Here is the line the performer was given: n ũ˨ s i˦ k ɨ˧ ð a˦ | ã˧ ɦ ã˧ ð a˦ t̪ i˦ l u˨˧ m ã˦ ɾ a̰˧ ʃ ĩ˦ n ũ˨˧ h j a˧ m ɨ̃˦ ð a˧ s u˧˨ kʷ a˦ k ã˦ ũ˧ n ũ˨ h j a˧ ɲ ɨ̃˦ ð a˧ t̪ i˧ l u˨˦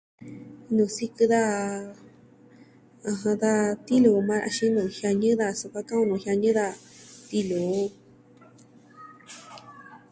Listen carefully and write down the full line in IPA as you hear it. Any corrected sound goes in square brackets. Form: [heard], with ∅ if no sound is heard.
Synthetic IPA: n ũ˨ s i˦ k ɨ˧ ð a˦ | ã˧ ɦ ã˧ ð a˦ t̪ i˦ l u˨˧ m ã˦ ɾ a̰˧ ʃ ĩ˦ n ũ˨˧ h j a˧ [ɲ] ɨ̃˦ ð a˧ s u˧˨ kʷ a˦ k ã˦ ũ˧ n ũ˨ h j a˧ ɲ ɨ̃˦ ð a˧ t̪ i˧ l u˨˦

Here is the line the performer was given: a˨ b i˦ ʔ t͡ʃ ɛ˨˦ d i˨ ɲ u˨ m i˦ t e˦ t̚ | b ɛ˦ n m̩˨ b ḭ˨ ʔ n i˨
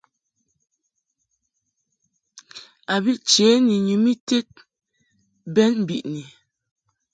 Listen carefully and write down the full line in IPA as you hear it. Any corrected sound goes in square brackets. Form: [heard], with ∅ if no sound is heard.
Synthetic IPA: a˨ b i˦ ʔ t͡ʃ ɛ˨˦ [n] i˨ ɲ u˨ m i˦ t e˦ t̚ | b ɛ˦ n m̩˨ b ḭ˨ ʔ n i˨

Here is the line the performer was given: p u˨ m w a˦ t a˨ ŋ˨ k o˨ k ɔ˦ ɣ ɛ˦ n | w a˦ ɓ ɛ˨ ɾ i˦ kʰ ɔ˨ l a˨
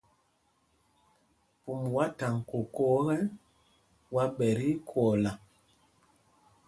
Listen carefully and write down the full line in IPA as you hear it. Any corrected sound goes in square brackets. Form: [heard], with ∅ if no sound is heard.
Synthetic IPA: p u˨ m w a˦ t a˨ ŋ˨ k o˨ k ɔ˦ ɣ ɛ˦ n | w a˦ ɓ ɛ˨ ɾ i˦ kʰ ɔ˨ l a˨

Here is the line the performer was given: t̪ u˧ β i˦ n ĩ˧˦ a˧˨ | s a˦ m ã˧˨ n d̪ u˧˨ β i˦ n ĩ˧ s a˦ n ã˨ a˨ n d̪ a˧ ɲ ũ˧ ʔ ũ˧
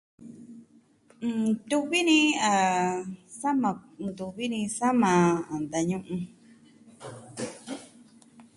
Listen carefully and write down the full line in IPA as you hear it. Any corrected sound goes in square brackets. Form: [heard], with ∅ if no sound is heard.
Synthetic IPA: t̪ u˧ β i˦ n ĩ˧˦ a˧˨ | s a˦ m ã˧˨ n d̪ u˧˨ β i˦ n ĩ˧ s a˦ [m] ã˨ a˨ n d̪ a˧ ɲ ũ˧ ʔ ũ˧

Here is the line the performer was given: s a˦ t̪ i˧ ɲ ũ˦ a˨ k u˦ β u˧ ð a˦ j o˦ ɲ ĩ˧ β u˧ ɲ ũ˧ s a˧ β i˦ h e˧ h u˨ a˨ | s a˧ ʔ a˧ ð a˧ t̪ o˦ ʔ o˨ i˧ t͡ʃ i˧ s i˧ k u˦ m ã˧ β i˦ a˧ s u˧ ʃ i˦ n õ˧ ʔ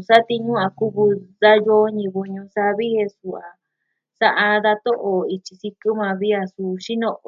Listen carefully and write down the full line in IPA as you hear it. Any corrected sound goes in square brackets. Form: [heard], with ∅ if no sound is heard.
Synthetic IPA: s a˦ t̪ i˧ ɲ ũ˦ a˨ k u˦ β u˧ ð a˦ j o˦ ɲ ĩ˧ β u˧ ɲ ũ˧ s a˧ β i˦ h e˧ [s] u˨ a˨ | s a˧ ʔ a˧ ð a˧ t̪ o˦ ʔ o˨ i˧ t͡ʃ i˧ s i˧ k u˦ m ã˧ β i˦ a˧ s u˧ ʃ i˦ n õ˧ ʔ

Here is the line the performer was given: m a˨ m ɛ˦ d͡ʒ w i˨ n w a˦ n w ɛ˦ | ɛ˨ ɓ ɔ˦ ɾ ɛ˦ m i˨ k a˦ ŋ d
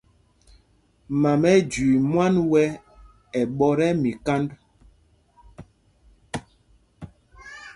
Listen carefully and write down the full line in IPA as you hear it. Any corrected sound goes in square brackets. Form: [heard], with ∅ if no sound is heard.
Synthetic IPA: m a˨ m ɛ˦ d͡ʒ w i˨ [m] w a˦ n w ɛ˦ | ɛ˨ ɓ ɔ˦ ɾ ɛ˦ m i˨ k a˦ [n] d

